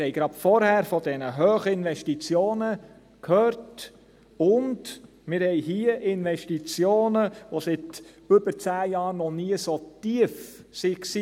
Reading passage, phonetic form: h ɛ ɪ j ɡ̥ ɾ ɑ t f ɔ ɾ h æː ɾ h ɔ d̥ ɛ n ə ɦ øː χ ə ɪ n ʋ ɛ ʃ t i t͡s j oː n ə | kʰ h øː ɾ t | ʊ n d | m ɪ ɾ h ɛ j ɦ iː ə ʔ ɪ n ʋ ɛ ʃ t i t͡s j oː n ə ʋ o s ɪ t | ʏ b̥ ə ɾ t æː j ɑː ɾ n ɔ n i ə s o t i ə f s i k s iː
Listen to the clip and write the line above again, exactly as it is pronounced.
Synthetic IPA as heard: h ɛ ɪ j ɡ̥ ɾ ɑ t f ɔ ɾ h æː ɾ f ɔ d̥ ɛ n ə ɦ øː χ ə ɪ n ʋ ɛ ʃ t i t͡s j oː n ə | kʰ h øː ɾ t | ʊ n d | m ɪ ɾ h ɛ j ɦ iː ə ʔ ɪ n ʋ ɛ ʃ t i t͡s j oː n ə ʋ o s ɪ t | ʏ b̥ ə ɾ t͡s æː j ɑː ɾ n ɔ n i ə s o t i ə f s i k s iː